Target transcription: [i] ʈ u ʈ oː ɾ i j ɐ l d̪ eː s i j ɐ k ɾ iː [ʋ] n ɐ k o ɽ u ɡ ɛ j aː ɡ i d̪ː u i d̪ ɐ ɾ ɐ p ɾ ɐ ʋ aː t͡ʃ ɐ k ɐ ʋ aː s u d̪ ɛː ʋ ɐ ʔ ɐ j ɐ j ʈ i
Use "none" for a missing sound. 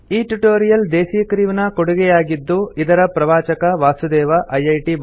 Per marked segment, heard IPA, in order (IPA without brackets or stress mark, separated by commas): iː, ʋ